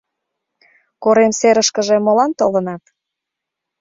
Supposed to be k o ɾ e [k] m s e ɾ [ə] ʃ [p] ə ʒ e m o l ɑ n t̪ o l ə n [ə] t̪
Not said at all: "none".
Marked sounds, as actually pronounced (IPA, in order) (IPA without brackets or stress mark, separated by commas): none, ə, k, ɑ